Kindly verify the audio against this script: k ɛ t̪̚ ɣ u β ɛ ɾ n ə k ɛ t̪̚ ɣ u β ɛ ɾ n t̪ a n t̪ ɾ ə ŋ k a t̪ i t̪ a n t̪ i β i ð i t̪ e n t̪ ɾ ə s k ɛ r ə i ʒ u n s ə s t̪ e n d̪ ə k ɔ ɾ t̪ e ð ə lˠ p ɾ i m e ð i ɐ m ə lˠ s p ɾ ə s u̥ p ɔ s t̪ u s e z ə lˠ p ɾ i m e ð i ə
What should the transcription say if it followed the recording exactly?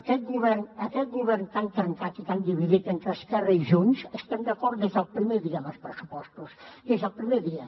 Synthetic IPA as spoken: k ɛ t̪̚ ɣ u β ɛ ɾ n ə k ɛ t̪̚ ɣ u β ɛ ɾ n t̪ a n t̪ ɾ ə ŋ k a t̪ i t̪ a n d̪ i β i ð i t̪ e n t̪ ɾ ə s k ɛ r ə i ʒ u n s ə s t̪ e n d̪ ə k ɔ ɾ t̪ e z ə lˠ p ɾ i m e ð i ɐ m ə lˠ s p ɾ ə s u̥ p ɔ s t̪ u s e z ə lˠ p ɾ i m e ð i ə